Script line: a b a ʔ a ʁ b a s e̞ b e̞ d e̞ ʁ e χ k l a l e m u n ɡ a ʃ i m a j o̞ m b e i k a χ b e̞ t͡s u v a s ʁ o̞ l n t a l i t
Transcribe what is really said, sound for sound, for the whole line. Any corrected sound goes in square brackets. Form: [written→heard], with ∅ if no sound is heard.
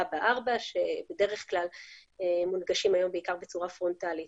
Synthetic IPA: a b a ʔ a ʁ b a [s→ʃ] e̞ b e̞ d e̞ ʁ e χ k l a l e m u n ɡ a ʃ i m a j o̞ m b e i k a [χ→ʁ] b e̞ t͡s u [v→ʁ] a [s→f] ʁ o̞ [l→∅] n t a l i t

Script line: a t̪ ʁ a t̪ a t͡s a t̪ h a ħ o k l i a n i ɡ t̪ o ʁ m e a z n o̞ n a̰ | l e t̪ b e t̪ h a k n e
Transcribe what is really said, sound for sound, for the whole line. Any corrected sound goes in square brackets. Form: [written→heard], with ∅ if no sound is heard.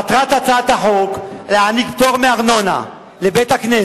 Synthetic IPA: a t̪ ʁ a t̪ a t͡s a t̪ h a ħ o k l [i→e] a n i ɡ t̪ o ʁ m e a [z→ʁ] n o̞ n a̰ | l e [t̪→∅] b e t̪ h a k n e

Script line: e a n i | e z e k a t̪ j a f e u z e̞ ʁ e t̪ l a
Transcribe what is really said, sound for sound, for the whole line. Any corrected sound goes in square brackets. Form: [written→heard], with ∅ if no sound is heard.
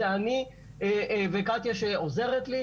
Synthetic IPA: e a n i | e [z→v] e k a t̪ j a [f→ʃ] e [u→o] z e̞ ʁ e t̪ l [a→i]

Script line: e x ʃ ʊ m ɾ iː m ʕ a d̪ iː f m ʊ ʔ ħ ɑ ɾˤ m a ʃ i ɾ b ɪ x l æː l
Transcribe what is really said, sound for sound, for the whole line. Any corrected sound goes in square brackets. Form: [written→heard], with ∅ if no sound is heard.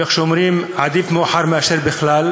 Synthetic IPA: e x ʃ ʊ m ɾ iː m ʕ a d̪ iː f m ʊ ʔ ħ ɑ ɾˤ m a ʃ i ɾ b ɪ x l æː l

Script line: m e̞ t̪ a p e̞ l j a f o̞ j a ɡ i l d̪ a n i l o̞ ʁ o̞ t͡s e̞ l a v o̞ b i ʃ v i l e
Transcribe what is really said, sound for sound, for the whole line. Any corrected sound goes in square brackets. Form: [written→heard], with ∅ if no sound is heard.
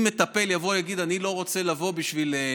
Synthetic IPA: m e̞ t̪ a p e̞ l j a [f→v] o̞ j a ɡ i [l→∅] d̪ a n i l o̞ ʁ o̞ t͡s e̞ l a v o̞ b i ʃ v i l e

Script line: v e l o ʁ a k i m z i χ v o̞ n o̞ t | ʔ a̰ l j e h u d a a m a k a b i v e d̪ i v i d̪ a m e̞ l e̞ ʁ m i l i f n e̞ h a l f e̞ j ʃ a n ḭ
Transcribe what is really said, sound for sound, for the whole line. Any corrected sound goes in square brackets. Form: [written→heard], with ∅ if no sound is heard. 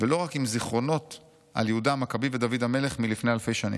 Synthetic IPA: v e l o ʁ a k i m z i χ [v→ʁ] o̞ n o̞ t | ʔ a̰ l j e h u d a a m a k a b i v e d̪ [i→a] v i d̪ a m e̞ l e̞ [ʁ→χ] m i l i f n e̞ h a l f e̞ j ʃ a n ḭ

